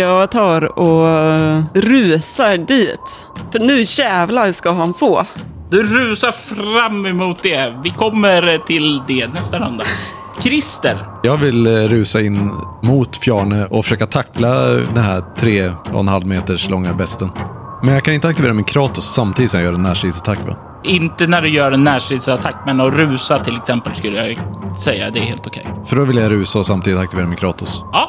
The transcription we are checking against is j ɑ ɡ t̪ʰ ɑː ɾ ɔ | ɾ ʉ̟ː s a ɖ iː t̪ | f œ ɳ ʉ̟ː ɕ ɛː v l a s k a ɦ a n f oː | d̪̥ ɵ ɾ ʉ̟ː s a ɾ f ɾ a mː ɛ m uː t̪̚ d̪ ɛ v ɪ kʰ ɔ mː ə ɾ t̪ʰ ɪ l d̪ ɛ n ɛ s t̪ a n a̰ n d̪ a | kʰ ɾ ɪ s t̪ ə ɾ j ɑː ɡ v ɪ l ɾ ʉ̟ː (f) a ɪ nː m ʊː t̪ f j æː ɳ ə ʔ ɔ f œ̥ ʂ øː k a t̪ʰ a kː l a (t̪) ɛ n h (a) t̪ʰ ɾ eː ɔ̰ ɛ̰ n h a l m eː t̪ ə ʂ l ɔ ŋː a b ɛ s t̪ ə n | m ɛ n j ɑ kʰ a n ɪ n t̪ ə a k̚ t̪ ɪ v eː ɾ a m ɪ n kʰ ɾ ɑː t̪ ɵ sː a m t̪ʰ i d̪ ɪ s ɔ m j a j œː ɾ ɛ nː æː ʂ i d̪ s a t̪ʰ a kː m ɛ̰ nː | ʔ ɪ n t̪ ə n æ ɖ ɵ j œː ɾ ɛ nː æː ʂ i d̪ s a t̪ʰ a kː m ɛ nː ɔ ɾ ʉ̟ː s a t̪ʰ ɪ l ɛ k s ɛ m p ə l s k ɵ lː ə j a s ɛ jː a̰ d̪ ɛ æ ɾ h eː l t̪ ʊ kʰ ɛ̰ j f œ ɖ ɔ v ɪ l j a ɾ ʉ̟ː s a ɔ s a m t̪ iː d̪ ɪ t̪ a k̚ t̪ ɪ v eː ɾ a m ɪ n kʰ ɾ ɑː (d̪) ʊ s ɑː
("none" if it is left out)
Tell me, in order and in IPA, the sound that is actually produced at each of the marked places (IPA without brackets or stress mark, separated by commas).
s, d̪, æ, t̪